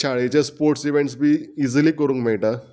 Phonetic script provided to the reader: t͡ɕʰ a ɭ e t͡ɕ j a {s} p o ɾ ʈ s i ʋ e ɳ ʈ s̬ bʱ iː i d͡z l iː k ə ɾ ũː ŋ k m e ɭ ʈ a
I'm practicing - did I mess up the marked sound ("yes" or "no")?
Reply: no